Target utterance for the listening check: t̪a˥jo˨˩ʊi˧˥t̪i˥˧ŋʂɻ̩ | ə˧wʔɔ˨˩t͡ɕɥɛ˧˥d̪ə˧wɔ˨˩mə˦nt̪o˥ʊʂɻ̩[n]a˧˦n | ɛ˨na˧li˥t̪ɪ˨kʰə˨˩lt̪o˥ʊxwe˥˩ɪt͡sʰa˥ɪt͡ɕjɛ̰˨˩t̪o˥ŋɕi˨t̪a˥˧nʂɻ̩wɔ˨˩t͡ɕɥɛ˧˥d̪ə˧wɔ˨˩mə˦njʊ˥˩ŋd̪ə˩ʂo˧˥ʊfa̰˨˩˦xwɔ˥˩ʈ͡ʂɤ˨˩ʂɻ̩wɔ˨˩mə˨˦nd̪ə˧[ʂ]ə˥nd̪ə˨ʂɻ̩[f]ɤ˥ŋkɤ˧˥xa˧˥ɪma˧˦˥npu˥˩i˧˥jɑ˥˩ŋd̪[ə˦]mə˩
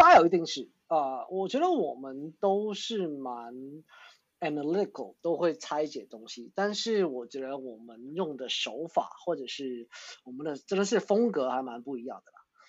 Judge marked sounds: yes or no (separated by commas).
no, no, yes, no